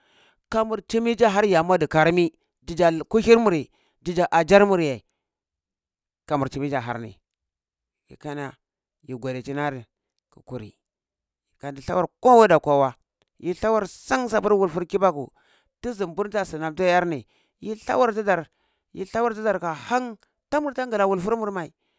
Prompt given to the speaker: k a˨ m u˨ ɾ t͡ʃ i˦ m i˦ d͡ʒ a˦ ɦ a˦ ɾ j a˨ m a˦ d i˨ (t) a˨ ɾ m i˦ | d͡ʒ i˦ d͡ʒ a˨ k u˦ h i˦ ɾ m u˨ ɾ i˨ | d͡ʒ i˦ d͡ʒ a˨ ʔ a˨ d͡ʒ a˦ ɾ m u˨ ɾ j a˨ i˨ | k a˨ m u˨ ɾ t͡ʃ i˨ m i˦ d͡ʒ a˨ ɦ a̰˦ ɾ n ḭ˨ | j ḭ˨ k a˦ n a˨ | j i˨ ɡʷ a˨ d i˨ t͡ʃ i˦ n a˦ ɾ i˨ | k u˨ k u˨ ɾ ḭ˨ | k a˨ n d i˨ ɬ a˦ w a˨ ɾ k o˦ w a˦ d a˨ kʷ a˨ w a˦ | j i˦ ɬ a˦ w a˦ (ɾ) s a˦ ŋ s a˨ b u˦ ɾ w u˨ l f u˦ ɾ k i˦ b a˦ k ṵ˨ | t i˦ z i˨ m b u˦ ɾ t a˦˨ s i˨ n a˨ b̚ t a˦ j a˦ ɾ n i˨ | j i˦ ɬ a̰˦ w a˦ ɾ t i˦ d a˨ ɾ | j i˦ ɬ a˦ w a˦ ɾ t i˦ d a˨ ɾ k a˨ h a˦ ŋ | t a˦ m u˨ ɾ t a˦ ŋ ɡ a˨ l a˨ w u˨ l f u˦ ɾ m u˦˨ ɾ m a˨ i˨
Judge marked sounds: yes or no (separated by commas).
no, yes